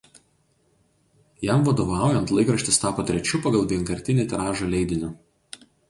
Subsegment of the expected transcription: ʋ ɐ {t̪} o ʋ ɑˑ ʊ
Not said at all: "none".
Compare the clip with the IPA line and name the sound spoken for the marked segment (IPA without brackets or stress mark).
d̪